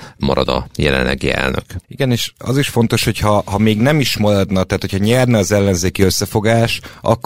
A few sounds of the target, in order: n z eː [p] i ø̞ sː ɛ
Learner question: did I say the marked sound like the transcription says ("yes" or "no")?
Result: no